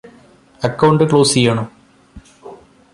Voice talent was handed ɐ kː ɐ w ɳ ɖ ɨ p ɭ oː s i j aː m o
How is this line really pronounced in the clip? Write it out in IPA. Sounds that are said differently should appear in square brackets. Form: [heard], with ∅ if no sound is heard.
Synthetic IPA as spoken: ɐ kː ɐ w ɳ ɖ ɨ [k] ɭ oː s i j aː [ɳ] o